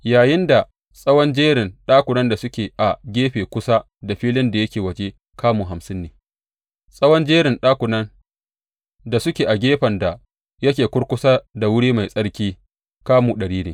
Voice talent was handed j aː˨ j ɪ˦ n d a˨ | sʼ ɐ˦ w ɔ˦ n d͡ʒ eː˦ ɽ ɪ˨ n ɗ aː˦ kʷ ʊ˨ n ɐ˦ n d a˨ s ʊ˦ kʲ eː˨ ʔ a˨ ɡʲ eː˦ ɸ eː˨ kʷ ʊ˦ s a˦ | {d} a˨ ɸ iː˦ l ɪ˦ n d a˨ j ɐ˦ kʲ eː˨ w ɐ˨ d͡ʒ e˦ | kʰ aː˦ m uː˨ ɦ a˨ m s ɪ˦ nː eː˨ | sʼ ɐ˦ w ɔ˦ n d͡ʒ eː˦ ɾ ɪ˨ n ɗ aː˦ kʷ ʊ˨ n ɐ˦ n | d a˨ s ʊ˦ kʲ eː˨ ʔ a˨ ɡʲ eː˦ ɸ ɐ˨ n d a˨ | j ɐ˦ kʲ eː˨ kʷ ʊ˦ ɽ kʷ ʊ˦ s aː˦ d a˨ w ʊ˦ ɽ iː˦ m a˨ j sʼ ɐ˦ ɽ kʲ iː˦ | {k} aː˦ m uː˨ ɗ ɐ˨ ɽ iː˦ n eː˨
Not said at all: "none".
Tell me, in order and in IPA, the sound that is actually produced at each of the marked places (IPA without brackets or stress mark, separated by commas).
d, k